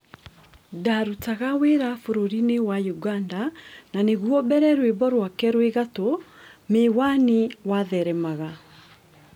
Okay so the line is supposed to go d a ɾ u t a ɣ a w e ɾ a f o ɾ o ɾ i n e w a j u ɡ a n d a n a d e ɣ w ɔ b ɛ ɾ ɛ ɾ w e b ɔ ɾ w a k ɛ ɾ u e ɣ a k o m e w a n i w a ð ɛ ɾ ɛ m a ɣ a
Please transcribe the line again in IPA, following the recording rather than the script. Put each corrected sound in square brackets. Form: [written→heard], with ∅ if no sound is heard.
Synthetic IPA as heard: d a ɾ u t a ɣ a w e ɾ a f o ɾ o ɾ i n e w a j u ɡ a n d a n a [d→n] e ɣ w ɔ b ɛ ɾ ɛ ɾ w e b ɔ ɾ w a k ɛ ɾ [u→w] e ɣ a [k→t] o m e w a n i w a ð ɛ ɾ ɛ m a ɣ a